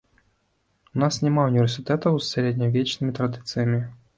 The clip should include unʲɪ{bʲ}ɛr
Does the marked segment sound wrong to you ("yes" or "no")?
yes